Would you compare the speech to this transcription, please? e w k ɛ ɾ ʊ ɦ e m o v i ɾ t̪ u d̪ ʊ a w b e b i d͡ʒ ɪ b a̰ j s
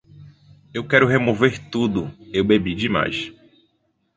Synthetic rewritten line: e w k ɛ ɾ ʊ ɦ e m o v e ɾ t̪ u d̪ ʊ e w b e b i d͡ʒ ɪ m a̰ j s